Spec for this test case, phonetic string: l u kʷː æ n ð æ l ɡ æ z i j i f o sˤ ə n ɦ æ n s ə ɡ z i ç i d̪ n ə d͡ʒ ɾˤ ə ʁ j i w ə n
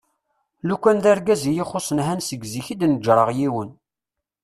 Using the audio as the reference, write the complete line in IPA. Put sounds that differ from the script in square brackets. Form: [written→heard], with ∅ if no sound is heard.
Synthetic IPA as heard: l u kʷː æ n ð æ [l→ɾ] ɡ æ z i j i [f→χ] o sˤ ə n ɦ æ n s ə ɡ z i ç i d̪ n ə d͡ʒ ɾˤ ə ʁ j i w ə n